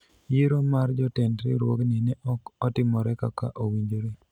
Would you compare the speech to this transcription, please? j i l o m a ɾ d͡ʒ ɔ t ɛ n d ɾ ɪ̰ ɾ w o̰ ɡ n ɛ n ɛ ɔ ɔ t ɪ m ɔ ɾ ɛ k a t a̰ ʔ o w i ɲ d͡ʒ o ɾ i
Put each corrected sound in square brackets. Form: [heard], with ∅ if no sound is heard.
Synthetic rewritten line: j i [ɾ] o m a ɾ d͡ʒ ɔ t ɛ n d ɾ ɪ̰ ɾ w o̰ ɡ n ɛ n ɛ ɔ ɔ t ɪ m ɔ ɾ ɛ k a [k] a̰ ʔ o w i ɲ d͡ʒ o ɾ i